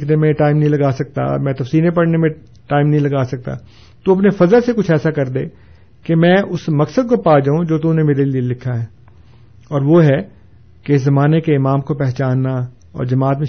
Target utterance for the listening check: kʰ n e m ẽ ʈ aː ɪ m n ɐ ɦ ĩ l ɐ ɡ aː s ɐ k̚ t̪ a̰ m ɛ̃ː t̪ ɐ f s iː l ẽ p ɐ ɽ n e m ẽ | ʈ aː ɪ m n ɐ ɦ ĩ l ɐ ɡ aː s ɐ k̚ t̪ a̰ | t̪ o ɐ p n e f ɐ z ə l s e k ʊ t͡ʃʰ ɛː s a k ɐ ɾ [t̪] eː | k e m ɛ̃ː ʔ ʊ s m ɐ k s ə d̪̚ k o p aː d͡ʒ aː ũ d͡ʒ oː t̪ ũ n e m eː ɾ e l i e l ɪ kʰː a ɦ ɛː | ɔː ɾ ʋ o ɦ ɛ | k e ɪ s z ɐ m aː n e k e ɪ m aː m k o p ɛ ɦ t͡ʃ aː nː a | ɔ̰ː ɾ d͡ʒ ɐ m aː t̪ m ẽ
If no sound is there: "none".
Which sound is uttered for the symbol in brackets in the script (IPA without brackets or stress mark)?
d̪